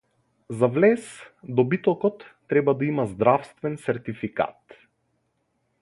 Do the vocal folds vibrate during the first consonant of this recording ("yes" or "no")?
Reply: yes